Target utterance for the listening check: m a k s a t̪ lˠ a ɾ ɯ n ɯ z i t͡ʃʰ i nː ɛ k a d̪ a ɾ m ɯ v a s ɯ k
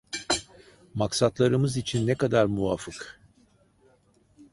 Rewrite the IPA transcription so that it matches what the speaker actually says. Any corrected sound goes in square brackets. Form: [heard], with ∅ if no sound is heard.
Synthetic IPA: m a k s a t̪ lˠ a ɾ ɯ [m] ɯ z i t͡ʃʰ i nː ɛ k a d̪ a ɾ m [u] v a [f] ɯ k